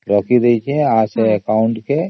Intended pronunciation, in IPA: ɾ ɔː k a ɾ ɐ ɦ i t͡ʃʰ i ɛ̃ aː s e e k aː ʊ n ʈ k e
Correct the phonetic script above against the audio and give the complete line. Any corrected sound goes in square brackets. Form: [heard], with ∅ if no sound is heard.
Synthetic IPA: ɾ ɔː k [i] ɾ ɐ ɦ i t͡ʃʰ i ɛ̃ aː s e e k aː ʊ [ɳ] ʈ k e